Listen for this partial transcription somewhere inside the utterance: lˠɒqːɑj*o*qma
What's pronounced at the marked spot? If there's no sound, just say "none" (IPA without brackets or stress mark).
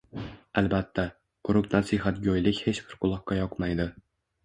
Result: ɒ